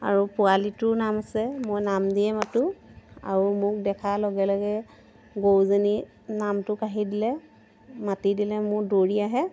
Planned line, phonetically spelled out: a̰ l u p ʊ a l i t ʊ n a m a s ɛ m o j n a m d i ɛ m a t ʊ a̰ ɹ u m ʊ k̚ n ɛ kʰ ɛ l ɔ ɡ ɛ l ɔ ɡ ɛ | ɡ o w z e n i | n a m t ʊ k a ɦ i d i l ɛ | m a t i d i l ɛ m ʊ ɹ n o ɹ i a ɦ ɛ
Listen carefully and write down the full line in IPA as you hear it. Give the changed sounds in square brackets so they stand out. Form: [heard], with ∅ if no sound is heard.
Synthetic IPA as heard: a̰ [ɹ] u p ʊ a l i t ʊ n a m a s ɛ m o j n a m d i ɛ m a t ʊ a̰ ɹ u m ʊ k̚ [d] ɛ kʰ [a] l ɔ ɡ ɛ l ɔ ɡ ɛ | ɡ o w z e n i | n a m t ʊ k a ɦ i d i l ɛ | m a t i d i l ɛ m ʊ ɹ [d] o ɹ i a ɦ ɛ